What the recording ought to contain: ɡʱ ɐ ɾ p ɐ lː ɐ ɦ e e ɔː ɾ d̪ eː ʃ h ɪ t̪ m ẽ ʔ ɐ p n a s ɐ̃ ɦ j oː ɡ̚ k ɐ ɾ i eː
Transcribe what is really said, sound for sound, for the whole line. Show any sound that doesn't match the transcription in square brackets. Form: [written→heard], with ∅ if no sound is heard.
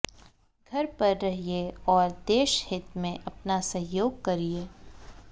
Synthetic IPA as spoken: ɡʱ ɐ ɾ p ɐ [lː→ɾː] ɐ ɦ [e→i] e ɔː ɾ d̪ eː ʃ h ɪ t̪ m ẽ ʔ ɐ p n a s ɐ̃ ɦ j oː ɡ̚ k ɐ ɾ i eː